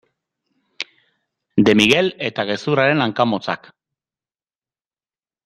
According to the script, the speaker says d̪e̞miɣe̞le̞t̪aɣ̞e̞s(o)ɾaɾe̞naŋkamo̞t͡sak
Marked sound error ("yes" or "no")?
yes